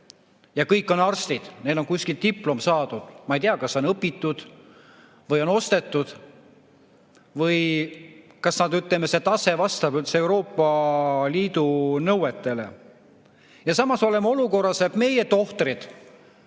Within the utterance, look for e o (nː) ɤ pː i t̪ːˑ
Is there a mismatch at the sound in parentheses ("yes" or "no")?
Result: yes